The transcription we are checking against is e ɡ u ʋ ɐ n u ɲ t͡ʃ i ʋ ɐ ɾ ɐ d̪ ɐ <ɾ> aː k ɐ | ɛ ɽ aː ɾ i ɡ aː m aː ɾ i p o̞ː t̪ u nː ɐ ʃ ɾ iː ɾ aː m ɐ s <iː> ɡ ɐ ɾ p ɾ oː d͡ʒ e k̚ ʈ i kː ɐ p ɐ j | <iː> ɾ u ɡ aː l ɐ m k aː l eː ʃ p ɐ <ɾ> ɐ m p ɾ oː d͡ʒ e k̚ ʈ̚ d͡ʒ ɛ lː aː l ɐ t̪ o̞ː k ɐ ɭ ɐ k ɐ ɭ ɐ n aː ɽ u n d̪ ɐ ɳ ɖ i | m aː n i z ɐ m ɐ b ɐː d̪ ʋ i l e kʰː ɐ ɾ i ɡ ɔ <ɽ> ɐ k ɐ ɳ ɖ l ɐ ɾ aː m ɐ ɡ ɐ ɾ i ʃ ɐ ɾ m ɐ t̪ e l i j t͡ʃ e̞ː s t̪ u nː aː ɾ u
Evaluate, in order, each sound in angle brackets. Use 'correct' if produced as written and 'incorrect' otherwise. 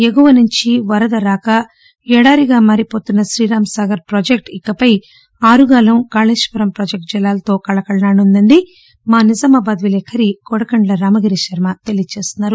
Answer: correct, incorrect: aː, incorrect: aː, correct, correct

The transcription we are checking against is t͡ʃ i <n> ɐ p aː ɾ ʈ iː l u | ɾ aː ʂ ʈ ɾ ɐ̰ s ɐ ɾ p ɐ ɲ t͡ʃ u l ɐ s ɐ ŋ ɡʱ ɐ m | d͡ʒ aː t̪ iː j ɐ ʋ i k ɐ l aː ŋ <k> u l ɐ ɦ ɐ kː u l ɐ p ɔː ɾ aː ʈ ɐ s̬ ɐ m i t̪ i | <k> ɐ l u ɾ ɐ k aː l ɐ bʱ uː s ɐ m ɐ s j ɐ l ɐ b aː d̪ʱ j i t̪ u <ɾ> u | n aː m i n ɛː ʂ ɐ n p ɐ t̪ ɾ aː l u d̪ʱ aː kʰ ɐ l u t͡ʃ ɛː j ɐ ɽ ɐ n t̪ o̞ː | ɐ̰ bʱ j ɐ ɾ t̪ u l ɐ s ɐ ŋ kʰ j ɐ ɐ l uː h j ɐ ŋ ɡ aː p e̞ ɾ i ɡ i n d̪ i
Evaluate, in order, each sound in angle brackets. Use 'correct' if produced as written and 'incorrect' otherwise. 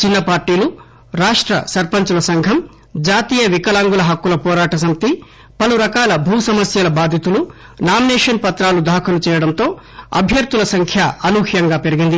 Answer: incorrect: nː, incorrect: ɡ, incorrect: p, incorrect: l

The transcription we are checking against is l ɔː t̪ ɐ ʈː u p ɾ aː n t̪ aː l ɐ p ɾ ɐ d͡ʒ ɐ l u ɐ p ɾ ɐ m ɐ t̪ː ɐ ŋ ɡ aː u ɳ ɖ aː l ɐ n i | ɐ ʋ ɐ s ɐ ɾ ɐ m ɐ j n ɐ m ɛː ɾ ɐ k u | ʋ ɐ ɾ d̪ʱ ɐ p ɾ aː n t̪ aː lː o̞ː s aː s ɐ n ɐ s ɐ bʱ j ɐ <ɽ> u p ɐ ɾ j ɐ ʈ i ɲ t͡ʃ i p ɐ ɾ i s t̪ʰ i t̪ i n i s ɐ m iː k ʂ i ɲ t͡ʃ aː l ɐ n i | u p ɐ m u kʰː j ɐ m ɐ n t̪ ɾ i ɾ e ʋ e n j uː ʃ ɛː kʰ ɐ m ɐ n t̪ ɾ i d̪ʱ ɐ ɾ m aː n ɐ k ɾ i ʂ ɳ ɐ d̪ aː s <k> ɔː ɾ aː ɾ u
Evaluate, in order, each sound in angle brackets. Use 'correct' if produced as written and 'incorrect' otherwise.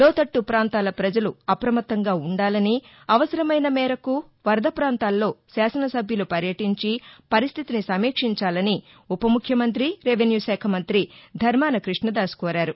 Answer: incorrect: l, correct

